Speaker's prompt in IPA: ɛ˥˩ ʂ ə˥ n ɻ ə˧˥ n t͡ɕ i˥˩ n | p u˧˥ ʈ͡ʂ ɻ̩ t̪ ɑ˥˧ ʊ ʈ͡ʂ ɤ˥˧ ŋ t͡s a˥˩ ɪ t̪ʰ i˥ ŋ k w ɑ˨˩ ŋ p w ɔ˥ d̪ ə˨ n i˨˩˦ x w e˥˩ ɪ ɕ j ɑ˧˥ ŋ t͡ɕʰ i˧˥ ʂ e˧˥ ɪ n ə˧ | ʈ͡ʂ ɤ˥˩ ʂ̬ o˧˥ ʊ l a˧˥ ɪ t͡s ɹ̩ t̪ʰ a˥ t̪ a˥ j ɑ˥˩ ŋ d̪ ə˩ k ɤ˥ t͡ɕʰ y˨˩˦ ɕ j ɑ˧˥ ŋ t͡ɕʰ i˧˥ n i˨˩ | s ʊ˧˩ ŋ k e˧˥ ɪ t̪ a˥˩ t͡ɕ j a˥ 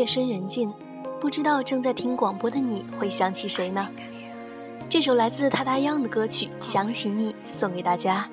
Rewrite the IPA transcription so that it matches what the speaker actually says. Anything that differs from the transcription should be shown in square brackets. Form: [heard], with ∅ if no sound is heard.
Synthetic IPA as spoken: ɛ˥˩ ʂ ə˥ n ɻ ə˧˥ n t͡ɕ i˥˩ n | p [u˥˩] ʈ͡ʂ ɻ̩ t̪ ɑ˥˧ ʊ ʈ͡ʂ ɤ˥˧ ŋ t͡s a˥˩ ɪ t̪ʰ i˥ ŋ k w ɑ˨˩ ŋ p w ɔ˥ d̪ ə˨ n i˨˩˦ x w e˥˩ ɪ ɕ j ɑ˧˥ ŋ t͡ɕʰ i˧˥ ʂ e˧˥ ɪ n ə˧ | ʈ͡ʂ ɤ˥˩ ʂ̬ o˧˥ ʊ l a˧˥ ɪ t͡s ɹ̩ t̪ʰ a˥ t̪ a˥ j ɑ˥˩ ŋ d̪ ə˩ k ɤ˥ t͡ɕʰ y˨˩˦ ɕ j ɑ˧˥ ŋ t͡ɕʰ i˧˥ n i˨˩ | s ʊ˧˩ ŋ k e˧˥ ɪ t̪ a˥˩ t͡ɕ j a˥